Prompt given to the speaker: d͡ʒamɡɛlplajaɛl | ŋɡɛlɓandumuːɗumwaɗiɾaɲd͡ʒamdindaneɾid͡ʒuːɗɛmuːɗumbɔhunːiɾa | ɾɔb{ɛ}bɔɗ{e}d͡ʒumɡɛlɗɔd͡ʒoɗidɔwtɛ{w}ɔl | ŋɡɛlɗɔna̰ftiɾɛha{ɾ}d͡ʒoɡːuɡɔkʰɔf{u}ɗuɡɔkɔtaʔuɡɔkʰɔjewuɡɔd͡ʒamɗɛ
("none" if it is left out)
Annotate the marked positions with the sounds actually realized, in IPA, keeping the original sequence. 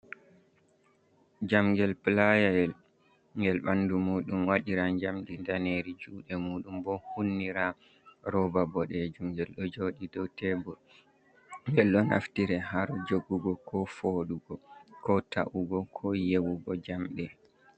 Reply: a, ɛ, b, ɾ, o

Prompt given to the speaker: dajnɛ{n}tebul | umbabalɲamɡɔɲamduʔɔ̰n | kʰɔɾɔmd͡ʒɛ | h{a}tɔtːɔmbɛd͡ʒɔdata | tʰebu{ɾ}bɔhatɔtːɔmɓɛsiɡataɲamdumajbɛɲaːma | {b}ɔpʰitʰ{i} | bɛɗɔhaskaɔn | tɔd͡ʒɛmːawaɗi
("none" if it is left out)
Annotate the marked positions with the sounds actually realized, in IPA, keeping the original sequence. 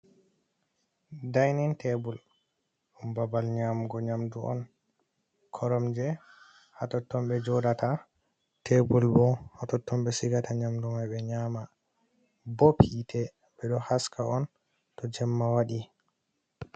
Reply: n, a, l, b, ɛ

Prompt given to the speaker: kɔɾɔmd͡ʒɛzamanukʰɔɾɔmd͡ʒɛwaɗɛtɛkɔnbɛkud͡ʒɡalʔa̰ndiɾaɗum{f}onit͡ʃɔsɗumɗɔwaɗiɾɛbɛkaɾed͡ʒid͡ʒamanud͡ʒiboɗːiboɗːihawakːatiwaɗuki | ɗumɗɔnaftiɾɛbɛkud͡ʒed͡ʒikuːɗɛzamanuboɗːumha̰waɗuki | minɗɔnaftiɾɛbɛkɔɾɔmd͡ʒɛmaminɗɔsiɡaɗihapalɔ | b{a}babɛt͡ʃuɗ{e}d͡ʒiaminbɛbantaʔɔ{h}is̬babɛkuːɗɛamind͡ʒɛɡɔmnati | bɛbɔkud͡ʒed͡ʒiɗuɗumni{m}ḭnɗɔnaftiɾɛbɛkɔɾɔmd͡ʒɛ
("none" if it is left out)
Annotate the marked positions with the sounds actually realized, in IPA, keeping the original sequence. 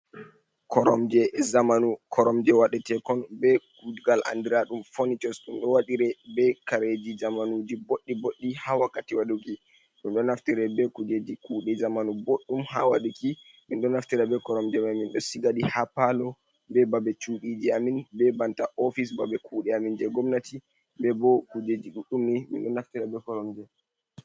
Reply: f, ɛ, i, f, m

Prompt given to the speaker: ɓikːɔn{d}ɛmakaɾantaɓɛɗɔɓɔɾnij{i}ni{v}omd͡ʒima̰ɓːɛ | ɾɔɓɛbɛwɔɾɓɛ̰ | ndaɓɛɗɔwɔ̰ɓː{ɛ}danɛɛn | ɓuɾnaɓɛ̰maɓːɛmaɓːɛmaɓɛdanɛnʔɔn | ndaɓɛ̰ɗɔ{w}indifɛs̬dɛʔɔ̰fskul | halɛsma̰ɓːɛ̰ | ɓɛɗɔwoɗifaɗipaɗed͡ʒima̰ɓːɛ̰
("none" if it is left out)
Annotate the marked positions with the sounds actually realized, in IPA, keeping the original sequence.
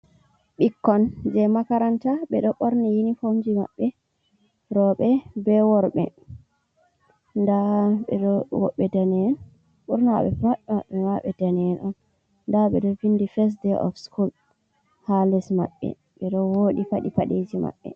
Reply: d͡ʒ, i, f, ɛ, v

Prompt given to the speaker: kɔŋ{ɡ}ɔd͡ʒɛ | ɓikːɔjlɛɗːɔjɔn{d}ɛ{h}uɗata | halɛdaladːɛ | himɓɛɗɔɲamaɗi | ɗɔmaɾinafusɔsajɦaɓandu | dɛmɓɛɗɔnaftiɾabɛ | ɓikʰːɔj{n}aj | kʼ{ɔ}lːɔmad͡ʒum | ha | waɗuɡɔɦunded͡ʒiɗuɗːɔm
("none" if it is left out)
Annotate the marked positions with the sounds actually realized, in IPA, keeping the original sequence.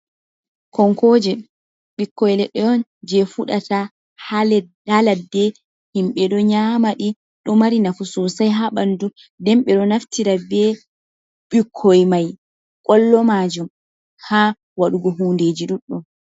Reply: k, d͡ʒ, f, m, ɔ

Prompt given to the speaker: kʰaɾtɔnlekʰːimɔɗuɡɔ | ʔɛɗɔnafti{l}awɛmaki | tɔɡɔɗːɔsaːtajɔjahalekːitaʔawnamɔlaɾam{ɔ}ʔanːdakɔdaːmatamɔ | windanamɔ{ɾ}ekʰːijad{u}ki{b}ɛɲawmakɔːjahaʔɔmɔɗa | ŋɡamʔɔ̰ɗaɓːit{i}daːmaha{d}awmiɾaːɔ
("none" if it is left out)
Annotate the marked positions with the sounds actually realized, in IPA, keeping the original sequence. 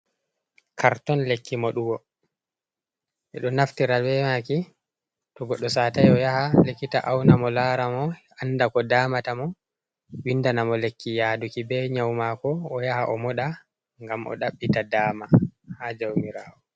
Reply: ɾ, ɔ, l, u, b, a, d͡ʒ

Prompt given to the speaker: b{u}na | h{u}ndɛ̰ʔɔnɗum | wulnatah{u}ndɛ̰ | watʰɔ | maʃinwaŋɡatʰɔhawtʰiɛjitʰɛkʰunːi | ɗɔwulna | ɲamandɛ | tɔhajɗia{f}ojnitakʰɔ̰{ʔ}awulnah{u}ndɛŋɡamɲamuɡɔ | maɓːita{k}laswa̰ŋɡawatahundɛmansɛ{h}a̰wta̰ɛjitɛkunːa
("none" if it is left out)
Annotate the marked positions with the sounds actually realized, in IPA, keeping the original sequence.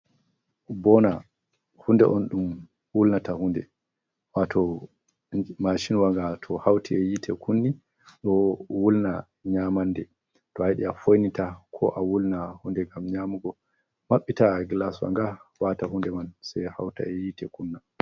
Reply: ɔ, u, u, f, ʔ, u, ɡ, h

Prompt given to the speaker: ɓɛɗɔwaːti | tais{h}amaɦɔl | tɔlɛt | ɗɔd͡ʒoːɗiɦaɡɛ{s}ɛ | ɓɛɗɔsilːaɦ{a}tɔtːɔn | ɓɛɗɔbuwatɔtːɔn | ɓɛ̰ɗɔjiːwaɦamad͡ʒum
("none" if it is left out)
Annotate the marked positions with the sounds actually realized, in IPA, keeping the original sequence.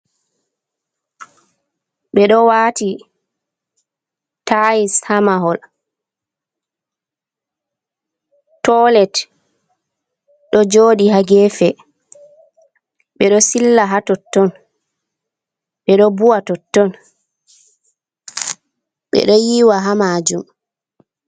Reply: h, f, a

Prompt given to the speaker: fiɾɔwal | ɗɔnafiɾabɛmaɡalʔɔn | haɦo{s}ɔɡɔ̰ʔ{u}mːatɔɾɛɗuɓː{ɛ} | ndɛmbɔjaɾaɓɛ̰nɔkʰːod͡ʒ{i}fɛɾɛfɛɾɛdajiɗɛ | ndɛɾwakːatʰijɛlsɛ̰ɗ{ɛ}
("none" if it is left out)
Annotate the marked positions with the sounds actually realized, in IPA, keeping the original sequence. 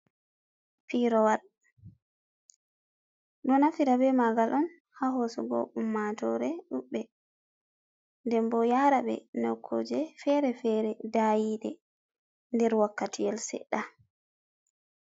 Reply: s, u, ɛ, ɛ, a

